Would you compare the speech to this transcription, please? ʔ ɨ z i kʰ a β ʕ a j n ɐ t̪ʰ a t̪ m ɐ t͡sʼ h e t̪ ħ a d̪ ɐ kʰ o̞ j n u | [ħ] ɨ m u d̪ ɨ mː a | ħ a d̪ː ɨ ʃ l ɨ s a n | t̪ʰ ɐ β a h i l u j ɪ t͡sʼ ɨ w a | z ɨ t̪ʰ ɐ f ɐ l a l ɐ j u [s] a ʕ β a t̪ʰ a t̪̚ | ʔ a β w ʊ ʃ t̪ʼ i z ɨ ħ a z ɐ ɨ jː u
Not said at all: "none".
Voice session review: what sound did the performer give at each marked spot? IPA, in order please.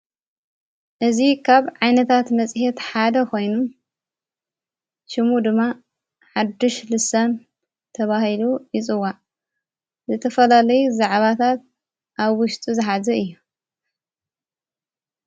ʃ, z

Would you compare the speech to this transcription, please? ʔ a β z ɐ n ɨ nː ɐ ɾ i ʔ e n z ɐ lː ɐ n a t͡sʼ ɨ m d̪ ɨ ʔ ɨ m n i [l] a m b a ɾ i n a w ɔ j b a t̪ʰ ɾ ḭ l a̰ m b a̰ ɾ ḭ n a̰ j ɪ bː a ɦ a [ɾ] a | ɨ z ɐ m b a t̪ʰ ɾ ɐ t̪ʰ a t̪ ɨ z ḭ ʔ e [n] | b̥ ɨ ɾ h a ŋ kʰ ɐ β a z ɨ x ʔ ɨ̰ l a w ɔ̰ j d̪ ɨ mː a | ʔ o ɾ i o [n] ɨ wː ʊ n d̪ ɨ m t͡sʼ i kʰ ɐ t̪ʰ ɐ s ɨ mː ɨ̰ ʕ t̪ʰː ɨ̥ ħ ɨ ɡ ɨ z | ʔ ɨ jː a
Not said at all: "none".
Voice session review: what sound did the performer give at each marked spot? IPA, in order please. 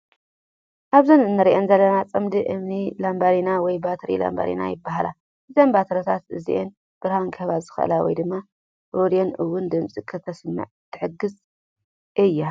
l, l, n, n

